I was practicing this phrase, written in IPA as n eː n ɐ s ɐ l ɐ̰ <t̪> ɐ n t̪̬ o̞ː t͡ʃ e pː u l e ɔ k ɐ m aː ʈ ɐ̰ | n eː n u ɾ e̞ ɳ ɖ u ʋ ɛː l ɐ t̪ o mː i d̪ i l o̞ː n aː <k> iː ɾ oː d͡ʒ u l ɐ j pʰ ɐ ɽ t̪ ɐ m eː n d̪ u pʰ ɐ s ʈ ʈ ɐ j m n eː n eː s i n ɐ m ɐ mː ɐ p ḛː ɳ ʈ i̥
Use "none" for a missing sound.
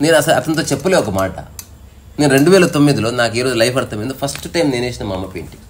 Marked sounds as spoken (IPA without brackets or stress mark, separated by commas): t̪, k